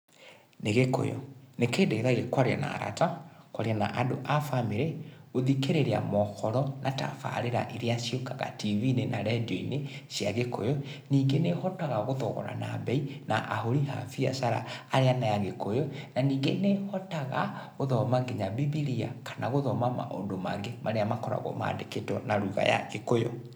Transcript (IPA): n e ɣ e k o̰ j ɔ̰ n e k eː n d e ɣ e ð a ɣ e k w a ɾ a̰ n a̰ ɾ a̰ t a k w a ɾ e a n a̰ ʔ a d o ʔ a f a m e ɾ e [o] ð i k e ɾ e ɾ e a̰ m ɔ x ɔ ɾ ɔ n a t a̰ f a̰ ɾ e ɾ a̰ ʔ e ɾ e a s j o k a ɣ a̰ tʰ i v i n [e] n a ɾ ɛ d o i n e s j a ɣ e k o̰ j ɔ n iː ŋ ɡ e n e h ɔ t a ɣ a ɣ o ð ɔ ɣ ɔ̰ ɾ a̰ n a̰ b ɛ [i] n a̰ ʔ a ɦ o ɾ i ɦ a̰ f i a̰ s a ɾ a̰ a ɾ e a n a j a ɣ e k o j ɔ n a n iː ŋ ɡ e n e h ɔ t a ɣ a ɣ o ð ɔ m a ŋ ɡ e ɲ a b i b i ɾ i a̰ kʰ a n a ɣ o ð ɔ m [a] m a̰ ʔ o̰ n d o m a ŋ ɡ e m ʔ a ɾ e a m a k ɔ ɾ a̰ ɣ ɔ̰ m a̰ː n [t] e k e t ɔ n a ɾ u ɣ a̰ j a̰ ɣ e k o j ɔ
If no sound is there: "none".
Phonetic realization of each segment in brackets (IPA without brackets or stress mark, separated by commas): o, e, i, a, d